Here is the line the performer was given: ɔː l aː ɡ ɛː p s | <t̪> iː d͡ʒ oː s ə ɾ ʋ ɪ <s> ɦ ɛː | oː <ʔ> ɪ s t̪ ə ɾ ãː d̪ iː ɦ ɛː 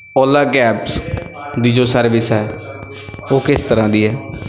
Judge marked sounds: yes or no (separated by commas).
no, yes, no